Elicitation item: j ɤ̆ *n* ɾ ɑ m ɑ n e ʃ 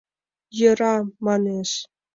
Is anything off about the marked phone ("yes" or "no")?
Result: yes